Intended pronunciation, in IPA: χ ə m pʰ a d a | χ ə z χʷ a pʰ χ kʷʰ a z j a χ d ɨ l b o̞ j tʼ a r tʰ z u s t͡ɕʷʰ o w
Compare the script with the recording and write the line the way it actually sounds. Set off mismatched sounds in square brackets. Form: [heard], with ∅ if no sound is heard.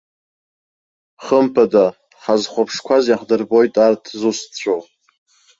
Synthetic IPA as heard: χ ə m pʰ a d a | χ [a] z χʷ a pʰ [ʂ] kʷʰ a z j a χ d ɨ [r] b o̞ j tʼ a r tʰ z u s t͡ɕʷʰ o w